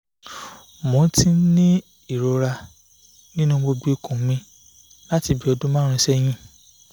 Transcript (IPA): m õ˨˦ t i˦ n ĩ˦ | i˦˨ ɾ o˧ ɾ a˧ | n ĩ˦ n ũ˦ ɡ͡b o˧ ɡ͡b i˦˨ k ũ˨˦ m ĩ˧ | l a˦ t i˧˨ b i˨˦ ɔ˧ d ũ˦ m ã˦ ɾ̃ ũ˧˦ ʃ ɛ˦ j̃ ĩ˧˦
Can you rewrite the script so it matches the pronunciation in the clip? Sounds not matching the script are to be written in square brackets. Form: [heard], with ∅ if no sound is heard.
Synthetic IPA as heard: m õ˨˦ t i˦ n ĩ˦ | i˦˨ ɾ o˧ ɾ a˧ | n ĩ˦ n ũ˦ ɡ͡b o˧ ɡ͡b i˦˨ k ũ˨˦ m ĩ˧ | l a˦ t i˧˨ b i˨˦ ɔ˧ d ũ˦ m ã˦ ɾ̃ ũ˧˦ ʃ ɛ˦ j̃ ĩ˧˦